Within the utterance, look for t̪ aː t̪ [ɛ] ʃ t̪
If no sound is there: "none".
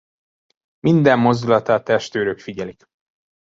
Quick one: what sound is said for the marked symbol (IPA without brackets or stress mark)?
ɛ